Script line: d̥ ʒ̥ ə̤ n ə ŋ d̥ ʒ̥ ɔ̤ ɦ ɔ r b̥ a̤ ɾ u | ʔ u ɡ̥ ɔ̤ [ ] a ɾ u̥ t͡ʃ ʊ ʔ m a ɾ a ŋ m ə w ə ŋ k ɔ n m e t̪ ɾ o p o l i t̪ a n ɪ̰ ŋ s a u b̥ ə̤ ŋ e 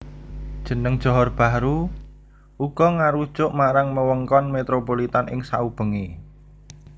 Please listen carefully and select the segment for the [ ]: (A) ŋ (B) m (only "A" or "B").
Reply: A